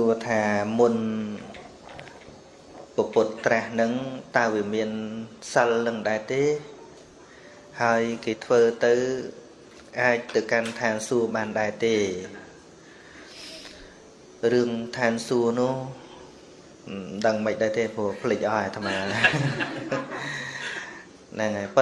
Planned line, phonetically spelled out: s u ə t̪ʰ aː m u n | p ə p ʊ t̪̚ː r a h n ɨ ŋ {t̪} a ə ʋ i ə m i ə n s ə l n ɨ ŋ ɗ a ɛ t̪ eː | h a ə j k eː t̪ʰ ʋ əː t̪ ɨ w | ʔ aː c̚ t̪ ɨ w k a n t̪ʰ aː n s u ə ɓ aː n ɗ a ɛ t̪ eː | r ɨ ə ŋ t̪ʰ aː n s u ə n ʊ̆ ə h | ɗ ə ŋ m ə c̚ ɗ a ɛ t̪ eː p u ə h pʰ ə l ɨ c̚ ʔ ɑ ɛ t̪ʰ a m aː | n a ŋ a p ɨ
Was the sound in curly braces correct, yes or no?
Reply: yes